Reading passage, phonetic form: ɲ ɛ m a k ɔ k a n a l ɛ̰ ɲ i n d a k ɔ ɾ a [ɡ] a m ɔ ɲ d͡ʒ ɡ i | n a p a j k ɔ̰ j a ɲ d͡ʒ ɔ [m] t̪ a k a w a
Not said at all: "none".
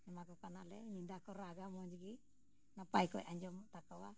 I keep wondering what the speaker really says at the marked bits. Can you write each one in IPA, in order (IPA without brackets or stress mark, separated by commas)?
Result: ɡ, m